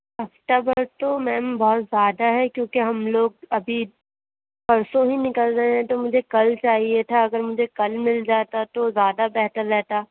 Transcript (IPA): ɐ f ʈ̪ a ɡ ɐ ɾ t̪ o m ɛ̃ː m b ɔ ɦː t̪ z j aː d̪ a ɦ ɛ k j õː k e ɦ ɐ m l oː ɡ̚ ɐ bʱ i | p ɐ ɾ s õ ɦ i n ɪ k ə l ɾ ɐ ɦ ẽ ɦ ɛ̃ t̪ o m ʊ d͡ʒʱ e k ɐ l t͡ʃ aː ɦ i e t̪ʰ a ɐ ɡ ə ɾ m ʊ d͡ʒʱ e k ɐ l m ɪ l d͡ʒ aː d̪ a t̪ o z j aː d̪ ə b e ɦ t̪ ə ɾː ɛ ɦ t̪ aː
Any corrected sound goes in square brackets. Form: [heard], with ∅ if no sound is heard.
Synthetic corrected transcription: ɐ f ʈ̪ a [b] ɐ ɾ t̪ o m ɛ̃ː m b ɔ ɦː t̪ z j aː d̪ a ɦ ɛ k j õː k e ɦ ɐ m l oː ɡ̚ ɐ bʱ i | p ɐ ɾ s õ ɦ i n ɪ k ə l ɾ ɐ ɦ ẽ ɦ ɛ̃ t̪ o m ʊ d͡ʒʱ e k ɐ l t͡ʃ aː ɦ i e t̪ʰ a ɐ ɡ ə ɾ m ʊ d͡ʒʱ e k ɐ l m ɪ l d͡ʒ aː [t̪] a t̪ o z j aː d̪ [a] b [ɛ] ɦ t̪ ə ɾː ɛ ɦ t̪ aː